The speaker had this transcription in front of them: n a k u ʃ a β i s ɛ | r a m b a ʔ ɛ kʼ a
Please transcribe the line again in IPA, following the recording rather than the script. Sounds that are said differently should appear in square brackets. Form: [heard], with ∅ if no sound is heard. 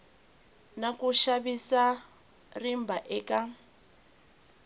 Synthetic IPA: n a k u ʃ a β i s [a] | r [i] m b a ʔ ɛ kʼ a